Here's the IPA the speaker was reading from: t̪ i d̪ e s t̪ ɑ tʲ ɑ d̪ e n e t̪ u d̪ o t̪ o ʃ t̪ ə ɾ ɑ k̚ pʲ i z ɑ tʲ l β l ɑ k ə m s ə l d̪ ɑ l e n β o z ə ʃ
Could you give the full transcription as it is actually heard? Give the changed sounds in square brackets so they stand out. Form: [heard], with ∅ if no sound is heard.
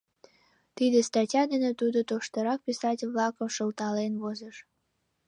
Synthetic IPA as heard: t̪ i d̪ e s t̪ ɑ tʲ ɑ d̪ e n e t̪ u d̪ o t̪ o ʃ t̪ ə ɾ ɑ k̚ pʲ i [s] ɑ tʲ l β l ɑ k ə m [ʃ] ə l [t̪] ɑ l e n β o z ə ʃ

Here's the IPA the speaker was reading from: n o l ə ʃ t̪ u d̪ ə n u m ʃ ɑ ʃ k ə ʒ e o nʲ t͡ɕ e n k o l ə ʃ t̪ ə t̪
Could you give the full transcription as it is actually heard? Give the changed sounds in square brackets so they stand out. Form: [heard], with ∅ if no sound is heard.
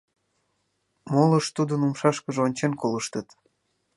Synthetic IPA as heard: [m] o l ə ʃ t̪ u d̪ ə n u m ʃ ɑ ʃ k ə ʒ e o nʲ t͡ɕ e n k o l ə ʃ t̪ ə t̪

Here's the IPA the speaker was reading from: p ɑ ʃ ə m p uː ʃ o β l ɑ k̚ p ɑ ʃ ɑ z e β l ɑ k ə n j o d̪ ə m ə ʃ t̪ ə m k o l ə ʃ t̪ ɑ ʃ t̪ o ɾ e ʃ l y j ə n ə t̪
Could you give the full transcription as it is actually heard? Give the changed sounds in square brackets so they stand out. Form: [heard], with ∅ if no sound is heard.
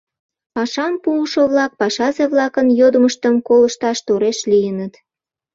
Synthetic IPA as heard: p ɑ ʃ [ɑ] m p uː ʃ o β l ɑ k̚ p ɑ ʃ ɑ z e β l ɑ k ə n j o d̪ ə m ə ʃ t̪ ə m k o l ə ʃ t̪ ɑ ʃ t̪ o ɾ e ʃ l [i] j ə n ə t̪

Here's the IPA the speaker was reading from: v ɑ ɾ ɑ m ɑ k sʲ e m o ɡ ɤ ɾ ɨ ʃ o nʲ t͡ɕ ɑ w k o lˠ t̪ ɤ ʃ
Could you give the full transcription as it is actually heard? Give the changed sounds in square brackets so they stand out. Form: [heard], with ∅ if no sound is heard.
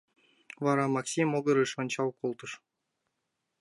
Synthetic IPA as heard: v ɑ ɾ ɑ m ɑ k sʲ [i] m o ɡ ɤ ɾ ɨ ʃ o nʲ t͡ɕ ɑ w k o lˠ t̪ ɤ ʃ

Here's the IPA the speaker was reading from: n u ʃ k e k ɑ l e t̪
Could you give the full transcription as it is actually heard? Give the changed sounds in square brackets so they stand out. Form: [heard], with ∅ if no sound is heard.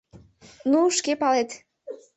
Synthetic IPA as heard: n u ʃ k e [p] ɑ l e t̪

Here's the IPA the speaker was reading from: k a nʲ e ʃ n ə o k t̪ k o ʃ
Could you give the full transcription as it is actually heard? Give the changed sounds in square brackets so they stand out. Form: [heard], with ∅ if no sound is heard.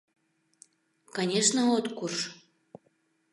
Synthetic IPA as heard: k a nʲ e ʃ n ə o [∅] t̪ k [u] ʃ

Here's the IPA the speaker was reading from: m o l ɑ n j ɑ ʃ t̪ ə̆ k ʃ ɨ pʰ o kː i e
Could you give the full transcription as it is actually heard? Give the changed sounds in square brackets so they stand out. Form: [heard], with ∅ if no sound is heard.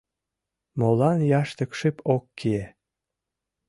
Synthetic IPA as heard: m o l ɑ n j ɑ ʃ t̪ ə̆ k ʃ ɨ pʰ o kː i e

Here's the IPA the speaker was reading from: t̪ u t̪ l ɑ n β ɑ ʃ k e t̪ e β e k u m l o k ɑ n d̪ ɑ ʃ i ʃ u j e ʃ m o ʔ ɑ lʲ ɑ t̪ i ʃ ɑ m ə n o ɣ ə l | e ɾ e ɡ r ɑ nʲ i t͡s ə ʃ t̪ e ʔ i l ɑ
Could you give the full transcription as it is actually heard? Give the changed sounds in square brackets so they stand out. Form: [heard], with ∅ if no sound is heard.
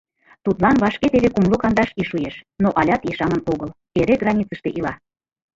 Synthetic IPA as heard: t̪ u t̪ l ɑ n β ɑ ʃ k e t̪ e β e k u m l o k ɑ n d̪ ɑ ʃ i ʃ u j e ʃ [n] o ʔ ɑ lʲ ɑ t̪ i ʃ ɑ m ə n o ɣ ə l | e ɾ e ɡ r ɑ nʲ i t͡s ə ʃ t̪ e ʔ i l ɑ

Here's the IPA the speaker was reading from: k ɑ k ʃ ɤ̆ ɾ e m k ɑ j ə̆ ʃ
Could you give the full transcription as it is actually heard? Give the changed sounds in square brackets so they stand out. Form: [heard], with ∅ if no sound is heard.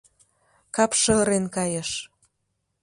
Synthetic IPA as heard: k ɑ [p] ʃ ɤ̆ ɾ e [n] k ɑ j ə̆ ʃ

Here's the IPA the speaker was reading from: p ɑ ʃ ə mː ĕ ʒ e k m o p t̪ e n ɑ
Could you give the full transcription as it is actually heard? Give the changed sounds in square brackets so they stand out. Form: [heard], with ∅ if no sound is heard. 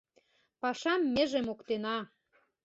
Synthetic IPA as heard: p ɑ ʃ [ɑ] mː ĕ ʒ e [∅] m o [k] t̪ e n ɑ

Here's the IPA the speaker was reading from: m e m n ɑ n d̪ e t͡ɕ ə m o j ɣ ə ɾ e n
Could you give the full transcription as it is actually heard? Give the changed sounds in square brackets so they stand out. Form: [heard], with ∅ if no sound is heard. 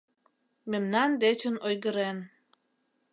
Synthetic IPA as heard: m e m n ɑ n d̪ e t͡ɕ ə [n] o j ɣ ə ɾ e n

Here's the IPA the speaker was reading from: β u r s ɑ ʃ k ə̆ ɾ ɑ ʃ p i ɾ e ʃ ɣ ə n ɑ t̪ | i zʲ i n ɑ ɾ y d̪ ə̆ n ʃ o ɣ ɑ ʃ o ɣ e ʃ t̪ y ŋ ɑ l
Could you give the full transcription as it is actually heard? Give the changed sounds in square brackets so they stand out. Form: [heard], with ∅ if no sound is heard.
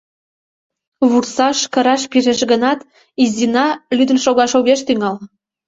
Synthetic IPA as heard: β u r s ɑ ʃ k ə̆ ɾ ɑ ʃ p i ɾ e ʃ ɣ ə n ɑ t̪ | i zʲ i n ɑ [l] y d̪ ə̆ n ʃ o ɣ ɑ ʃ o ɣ e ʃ t̪ y ŋ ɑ l

